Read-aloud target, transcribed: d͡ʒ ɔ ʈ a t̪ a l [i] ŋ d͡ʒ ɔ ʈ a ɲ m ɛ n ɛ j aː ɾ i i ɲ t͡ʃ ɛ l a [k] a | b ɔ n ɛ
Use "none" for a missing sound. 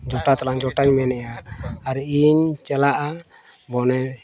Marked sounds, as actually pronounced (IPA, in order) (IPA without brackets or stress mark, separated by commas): a, ʔ